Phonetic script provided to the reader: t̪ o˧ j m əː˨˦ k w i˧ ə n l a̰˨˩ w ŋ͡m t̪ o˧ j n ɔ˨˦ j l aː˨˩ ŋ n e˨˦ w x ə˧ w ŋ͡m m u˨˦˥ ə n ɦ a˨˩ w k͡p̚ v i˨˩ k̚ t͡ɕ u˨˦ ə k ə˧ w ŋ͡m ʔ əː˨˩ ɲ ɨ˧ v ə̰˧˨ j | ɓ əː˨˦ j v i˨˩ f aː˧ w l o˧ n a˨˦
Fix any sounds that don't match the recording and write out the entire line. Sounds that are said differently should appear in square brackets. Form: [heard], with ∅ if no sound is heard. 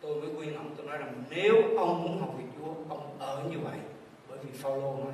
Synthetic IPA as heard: t̪ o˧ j m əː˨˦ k w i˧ ə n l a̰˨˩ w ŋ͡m t̪ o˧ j n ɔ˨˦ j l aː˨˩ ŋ n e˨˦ w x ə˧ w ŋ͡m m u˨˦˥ ə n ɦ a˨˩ w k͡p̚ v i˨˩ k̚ t͡ɕ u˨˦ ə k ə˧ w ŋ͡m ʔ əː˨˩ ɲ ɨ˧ v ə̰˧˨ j | ɓ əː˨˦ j v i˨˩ f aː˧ w l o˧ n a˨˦